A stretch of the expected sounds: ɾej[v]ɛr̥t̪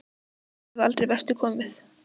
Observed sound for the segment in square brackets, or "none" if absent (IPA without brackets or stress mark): v